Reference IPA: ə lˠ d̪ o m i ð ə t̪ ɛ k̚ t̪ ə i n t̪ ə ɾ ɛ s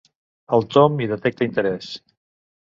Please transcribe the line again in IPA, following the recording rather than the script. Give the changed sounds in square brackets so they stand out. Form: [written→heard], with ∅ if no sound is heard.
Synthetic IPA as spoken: ə lˠ [d̪→t̪] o m i ð ə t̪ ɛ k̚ t̪ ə i n t̪ ə ɾ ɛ s